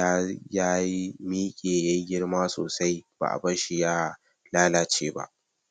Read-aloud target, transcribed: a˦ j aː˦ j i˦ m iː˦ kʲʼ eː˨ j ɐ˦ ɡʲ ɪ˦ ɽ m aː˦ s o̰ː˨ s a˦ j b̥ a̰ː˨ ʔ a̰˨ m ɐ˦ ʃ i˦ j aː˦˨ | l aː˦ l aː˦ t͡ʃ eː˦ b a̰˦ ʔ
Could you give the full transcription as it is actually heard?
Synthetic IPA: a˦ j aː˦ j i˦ m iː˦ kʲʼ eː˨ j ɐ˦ ɡʲ ɪ˦ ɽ m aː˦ s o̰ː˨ s a˦ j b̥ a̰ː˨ ʔ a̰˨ b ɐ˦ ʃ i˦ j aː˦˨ | l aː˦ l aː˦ t͡ʃ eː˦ b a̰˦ ʔ